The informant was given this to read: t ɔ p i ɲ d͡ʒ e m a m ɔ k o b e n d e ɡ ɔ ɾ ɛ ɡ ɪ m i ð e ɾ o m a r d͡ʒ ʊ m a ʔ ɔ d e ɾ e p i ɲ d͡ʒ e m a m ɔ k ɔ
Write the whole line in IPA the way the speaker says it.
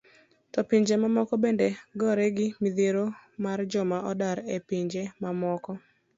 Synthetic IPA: t ɔ p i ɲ d͡ʒ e m a m ɔ k ɔ b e n d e ɡ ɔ ɾ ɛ ɡ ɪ m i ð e ɾ o m a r d͡ʒ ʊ m a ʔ ɔ d a ɾ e p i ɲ d͡ʒ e m a m ɔ k ɔ